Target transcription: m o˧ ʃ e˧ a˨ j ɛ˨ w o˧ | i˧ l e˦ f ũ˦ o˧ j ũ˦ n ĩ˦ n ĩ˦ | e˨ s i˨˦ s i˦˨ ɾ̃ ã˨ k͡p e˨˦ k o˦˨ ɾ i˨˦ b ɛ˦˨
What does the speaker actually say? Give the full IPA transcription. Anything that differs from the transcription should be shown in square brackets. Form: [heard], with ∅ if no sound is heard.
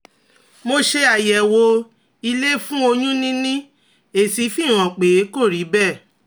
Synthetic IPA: m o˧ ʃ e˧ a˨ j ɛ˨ w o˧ | i˧ l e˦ f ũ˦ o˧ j ũ˦ n ĩ˦ n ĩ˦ | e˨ s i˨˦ [f] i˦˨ ɾ̃ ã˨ k͡p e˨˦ k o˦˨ ɾ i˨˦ b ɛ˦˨